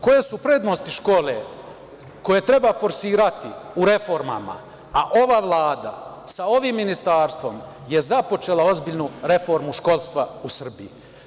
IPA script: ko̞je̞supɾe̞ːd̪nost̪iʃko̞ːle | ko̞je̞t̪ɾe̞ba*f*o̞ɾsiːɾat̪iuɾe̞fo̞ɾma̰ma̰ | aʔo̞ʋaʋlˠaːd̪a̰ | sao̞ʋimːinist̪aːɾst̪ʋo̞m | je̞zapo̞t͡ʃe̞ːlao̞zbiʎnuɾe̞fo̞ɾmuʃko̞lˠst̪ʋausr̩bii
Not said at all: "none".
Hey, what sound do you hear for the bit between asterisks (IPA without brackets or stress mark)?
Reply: f